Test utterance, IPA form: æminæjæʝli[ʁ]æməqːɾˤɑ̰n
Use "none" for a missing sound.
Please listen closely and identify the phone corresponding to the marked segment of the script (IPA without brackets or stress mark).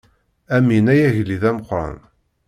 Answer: ð